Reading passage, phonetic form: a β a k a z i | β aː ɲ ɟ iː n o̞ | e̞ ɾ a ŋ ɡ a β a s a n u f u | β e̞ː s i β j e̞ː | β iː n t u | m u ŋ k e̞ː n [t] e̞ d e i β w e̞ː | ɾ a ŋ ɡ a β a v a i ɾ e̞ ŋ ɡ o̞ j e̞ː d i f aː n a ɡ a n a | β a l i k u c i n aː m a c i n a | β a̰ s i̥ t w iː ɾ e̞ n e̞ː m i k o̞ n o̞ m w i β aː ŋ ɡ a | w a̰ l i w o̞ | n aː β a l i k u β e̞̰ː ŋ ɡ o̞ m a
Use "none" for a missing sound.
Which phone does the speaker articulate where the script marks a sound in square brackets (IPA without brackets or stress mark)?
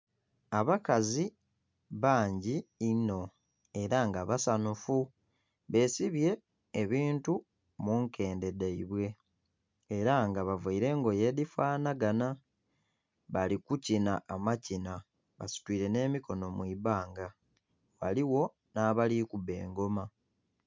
d